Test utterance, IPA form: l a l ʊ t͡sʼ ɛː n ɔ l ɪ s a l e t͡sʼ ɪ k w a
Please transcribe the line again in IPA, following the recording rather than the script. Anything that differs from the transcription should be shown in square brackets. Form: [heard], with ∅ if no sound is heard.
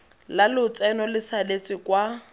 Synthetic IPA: l a l ʊ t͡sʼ [ɛ] n ɔ l ɪ s a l e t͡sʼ ɪ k w a